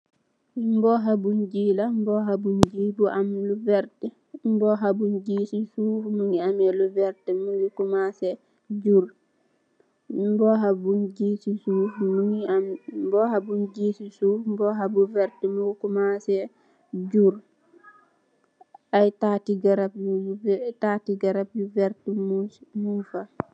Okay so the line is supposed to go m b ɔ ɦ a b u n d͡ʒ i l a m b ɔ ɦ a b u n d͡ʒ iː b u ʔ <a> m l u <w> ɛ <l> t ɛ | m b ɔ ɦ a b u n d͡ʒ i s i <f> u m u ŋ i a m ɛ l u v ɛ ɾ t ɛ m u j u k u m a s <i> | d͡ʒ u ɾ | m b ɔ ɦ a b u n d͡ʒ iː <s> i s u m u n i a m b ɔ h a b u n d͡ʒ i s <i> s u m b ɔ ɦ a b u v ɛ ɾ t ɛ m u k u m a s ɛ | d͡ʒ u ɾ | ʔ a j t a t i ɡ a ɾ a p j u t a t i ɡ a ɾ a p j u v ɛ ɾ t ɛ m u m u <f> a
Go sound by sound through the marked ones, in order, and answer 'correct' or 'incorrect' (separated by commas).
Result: correct, incorrect, incorrect, incorrect, incorrect, correct, correct, correct